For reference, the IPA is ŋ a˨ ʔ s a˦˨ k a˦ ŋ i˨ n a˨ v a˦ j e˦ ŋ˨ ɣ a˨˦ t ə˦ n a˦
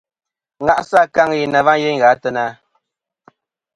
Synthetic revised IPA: ŋ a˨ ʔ s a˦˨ k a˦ ŋ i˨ n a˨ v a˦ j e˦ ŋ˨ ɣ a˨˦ t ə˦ n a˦